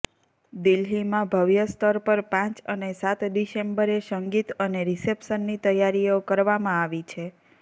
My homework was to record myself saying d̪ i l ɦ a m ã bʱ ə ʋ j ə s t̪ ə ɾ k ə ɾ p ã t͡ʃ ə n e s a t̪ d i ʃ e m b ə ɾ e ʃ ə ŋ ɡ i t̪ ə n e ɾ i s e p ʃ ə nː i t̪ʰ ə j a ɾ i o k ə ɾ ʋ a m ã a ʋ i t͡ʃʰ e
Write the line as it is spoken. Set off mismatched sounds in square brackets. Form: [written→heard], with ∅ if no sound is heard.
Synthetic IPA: d̪ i l ɦ [a→i] m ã bʱ ə ʋ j ə s t̪ ə ɾ [k→p] ə ɾ p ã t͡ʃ ə n e s a t̪ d i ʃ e m b ə ɾ e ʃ ə ŋ ɡ i t̪ ə n e ɾ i s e p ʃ ə nː i [t̪ʰ→t̪] ə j a ɾ i o k ə ɾ ʋ a m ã a ʋ i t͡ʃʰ e

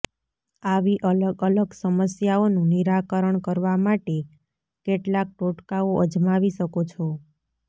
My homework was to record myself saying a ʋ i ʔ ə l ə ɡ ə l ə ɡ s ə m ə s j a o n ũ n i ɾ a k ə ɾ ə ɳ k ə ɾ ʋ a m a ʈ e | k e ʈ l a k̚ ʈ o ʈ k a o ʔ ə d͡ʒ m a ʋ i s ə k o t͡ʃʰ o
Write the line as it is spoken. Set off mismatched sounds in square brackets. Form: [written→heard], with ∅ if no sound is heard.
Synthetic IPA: a ʋ i ʔ ə l ə ɡ ə l ə ɡ s ə m ə s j a o n ũ n i ɾ a k ə ɾ ə ɳ k ə ɾ ʋ a m a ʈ e | k e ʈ l a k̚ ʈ o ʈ k a o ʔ ə d͡ʒ m a ʋ i [s→ʃ] ə k o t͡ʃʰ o

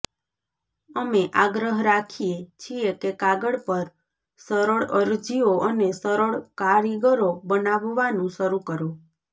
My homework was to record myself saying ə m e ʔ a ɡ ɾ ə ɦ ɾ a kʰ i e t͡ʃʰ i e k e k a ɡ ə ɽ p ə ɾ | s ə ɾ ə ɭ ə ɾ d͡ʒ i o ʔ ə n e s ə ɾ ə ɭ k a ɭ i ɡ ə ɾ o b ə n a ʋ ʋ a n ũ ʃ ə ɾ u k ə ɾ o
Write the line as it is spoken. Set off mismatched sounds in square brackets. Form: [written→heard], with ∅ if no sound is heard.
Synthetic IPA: ə m e ʔ a ɡ ɾ ə ɦ ɾ a kʰ i e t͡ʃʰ i e k e k a ɡ ə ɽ p ə ɾ | s ə ɾ ə ɭ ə ɾ d͡ʒ i o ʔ ə n e s ə ɾ ə ɭ k a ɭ i ɡ ə ɾ o b ə n a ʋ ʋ a n ũ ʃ ə ɾ u k ə ɾ o

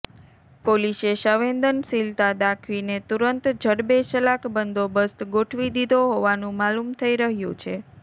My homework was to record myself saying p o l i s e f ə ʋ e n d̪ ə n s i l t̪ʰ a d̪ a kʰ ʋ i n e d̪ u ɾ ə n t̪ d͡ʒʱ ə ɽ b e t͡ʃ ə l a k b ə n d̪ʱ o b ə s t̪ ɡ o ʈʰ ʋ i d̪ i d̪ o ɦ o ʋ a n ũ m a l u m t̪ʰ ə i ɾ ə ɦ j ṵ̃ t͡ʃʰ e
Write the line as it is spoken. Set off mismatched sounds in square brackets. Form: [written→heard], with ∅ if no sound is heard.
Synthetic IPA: p o l i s e [f→ʃ] ə ʋ e n d̪ ə n s i l [t̪ʰ→t̪] a d̪ a kʰ ʋ i n e [d̪→t̪] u ɾ ə n t̪ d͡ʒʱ ə ɽ b e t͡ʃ ə l a k b ə n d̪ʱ o b ə s t̪ ɡ o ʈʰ ʋ i d̪ i d̪ o ɦ o ʋ a n ũ m a l u m t̪ʰ ə i ɾ ə ɦ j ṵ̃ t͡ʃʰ e

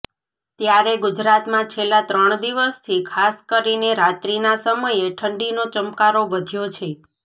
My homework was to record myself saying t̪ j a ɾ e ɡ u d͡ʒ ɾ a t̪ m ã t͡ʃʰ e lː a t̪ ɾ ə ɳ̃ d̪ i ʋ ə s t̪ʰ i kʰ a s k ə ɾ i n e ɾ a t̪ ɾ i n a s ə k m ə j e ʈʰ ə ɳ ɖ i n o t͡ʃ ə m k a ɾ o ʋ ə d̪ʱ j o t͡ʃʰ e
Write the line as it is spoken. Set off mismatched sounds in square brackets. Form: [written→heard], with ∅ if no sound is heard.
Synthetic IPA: t̪ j a ɾ e ɡ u d͡ʒ ɾ a t̪ m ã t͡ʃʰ e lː a t̪ ɾ ə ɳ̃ d̪ i ʋ ə s t̪ʰ i kʰ a s k ə ɾ i n e ɾ a t̪ ɾ i n a s ə [k→∅] m ə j e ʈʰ ə ɳ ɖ i n o t͡ʃ ə m k a ɾ o ʋ ə d̪ʱ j o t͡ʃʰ e

